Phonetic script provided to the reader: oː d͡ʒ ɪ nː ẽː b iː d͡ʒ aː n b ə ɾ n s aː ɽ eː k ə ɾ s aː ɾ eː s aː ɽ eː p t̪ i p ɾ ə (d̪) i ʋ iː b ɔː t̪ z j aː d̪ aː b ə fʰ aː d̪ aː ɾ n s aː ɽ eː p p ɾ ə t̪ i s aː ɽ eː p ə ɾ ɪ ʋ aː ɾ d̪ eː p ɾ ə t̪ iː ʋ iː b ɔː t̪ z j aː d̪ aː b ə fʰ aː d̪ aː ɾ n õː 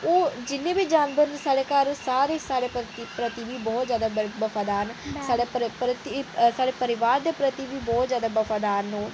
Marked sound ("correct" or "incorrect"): incorrect